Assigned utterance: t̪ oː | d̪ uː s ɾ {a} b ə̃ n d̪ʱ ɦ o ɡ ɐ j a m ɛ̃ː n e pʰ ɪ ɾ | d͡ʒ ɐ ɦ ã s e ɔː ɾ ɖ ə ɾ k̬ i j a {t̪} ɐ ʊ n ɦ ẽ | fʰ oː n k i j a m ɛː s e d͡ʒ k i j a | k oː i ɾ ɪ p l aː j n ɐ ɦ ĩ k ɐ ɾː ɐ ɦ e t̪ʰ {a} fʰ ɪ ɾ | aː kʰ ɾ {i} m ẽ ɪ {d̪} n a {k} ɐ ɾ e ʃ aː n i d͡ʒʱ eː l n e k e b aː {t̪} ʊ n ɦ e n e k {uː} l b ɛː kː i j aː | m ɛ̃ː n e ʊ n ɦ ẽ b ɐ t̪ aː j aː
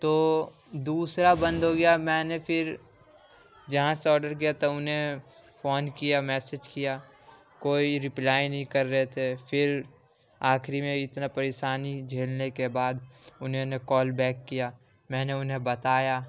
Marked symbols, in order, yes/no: yes, yes, no, yes, no, no, no, no

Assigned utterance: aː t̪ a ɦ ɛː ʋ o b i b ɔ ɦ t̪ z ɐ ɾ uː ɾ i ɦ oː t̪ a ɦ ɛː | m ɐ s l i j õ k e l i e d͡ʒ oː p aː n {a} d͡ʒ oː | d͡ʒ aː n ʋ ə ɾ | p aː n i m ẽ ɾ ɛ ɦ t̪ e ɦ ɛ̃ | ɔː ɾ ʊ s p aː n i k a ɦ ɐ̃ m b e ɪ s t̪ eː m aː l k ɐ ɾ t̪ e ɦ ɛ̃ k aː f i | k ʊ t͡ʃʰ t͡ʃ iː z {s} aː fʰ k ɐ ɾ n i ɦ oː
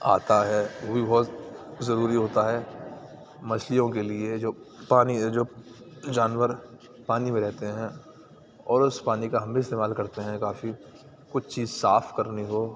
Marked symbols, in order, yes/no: no, yes

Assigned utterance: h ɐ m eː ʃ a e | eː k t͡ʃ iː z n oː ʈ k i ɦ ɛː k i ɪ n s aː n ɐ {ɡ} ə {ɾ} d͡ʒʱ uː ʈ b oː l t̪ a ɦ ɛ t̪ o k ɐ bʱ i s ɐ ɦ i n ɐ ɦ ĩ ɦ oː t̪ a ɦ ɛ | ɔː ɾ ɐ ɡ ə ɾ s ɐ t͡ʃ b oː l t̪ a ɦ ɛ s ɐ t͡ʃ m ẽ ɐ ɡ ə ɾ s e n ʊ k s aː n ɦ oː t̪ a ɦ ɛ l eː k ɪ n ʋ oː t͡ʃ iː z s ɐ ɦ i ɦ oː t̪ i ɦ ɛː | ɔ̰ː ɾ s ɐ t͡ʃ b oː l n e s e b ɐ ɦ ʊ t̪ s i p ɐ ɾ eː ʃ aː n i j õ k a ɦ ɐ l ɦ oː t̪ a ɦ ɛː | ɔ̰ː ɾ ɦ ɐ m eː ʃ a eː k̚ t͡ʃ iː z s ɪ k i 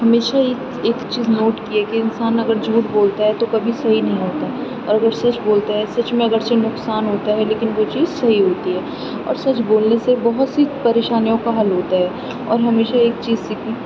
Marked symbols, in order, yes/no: yes, yes

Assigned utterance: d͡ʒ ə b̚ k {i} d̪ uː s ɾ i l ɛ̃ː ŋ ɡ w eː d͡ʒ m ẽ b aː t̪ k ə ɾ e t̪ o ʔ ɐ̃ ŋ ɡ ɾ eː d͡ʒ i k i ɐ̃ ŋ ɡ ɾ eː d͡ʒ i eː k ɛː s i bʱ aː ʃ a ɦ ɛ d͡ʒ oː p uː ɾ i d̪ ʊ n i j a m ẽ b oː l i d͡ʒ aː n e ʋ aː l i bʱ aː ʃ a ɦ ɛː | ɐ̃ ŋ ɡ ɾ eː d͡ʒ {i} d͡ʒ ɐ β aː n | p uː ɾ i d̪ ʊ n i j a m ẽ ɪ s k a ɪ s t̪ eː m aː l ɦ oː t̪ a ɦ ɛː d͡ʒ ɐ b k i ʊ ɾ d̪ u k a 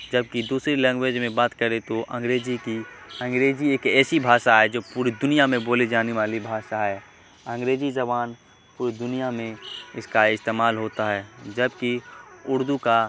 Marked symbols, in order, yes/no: yes, yes

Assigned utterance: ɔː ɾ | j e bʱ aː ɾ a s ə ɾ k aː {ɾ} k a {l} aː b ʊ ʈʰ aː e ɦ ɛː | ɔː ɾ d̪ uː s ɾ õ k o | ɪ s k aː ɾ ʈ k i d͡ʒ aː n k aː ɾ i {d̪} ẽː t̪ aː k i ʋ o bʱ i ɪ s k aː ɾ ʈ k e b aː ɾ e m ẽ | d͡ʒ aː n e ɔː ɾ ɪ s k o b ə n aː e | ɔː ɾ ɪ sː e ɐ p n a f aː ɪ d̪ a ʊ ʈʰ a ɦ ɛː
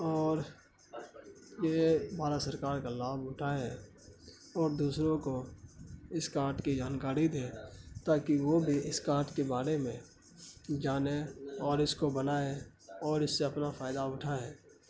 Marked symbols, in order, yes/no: yes, yes, yes

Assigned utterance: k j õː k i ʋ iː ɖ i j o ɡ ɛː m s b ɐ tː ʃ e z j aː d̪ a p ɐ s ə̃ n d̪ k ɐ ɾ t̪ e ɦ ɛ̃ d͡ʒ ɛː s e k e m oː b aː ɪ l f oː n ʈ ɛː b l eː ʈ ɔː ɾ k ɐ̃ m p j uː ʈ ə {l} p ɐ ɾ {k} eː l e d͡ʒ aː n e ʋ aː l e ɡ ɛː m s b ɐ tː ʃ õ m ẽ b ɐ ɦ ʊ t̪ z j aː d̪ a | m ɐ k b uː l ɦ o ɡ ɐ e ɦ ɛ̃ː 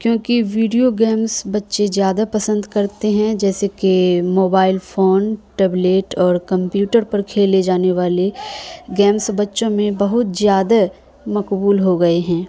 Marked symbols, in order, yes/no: no, no

